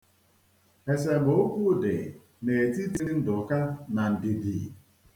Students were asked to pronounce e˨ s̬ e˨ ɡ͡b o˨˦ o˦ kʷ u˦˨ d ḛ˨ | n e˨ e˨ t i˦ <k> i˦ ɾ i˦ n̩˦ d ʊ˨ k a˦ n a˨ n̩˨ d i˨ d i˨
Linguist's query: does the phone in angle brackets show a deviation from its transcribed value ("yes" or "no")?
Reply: yes